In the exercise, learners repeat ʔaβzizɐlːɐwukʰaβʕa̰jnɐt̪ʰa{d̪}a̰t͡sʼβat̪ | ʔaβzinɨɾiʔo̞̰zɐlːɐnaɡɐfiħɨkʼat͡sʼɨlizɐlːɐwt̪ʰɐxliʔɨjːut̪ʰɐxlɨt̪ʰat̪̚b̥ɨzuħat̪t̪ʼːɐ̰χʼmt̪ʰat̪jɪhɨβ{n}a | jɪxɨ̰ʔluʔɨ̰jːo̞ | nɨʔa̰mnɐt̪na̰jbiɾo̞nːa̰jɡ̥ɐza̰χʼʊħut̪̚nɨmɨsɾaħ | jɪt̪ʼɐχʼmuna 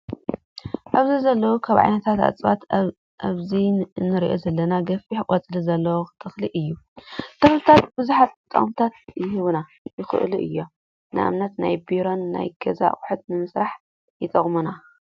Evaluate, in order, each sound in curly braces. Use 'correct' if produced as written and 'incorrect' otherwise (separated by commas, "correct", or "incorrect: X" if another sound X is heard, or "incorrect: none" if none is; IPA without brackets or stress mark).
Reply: incorrect: t̪, correct